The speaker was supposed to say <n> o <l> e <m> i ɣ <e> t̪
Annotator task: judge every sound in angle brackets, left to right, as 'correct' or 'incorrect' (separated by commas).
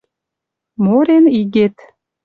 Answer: incorrect, incorrect, incorrect, correct